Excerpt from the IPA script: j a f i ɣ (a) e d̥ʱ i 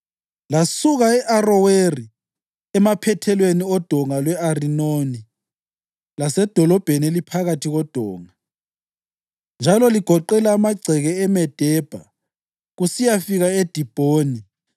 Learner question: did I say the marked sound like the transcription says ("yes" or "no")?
yes